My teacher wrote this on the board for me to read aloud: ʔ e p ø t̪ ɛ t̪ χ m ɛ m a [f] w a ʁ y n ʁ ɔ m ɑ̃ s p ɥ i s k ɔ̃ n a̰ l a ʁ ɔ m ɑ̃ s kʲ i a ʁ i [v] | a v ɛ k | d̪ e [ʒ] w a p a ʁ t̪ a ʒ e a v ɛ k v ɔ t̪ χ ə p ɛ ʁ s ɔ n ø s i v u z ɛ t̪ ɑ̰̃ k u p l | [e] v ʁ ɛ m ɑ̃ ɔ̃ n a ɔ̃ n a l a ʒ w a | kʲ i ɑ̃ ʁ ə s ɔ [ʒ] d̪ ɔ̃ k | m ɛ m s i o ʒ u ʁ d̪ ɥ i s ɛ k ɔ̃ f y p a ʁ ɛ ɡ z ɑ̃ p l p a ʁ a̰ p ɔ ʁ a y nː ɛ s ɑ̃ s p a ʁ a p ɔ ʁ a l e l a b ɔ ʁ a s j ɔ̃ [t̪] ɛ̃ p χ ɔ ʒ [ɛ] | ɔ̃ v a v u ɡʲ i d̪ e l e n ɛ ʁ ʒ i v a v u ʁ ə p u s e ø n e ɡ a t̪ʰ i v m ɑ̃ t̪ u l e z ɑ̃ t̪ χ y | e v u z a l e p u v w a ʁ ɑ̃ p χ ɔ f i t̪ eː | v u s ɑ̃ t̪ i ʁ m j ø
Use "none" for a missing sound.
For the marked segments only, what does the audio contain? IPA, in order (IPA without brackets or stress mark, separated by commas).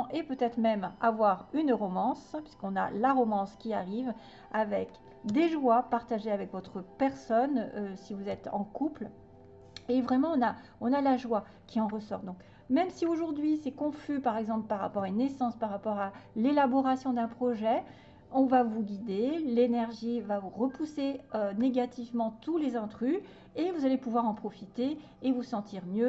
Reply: v, v, ʒ, e, ʁ, d̪, ɛ